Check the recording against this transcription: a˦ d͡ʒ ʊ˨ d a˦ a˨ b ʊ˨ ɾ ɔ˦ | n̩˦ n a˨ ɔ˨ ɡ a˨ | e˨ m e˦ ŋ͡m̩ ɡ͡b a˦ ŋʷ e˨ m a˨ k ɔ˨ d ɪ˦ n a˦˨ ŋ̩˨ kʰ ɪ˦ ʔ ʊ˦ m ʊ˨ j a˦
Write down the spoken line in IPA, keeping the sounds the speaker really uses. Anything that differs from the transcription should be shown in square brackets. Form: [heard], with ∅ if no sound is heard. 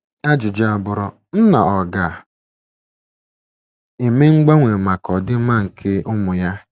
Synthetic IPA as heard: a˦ d͡ʒ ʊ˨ [d͡ʒ] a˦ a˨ b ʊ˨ ɾ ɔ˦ | n̩˦ n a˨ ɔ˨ ɡ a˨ | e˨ m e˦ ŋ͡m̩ ɡ͡b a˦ ŋʷ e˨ m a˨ k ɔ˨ d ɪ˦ [m] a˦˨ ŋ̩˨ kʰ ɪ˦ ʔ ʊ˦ m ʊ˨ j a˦